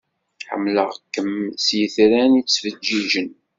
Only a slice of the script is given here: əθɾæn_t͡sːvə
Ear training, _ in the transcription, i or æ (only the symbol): i